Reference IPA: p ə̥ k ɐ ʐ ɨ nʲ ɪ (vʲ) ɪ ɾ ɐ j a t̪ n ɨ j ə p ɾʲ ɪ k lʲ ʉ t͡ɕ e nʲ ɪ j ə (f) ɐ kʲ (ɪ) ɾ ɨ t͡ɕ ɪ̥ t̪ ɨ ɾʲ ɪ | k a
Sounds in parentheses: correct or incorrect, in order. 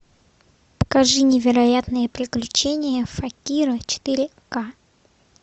correct, correct, incorrect: i

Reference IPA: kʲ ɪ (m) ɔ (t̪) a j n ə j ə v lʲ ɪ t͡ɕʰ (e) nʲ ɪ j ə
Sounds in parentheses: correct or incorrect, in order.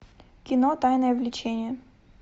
incorrect: n, correct, correct

